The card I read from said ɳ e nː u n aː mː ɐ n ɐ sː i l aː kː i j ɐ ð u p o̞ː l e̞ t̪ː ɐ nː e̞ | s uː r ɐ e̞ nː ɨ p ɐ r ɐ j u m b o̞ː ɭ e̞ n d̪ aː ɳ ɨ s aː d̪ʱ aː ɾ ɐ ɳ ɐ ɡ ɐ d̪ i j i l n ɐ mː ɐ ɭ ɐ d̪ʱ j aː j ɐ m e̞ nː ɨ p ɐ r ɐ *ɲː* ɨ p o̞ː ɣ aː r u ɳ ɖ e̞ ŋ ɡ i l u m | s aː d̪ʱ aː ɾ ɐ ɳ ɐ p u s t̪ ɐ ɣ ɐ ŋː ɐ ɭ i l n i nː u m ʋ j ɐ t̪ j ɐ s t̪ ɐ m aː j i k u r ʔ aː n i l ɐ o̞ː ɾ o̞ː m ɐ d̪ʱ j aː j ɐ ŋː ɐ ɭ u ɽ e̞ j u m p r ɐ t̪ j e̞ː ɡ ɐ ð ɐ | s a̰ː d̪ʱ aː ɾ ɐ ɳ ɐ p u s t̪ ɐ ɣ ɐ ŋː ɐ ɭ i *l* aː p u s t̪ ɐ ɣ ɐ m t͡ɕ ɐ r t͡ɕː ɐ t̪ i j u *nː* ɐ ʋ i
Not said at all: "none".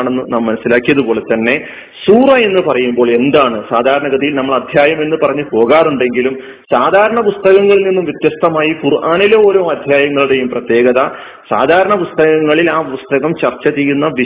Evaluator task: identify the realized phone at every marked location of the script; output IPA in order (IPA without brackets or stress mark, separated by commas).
ɲː, l, nː